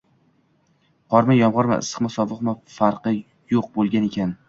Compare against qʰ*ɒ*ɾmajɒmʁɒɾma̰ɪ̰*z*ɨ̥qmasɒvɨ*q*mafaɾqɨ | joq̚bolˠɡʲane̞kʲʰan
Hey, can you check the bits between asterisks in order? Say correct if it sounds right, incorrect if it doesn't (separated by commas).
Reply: correct, incorrect, correct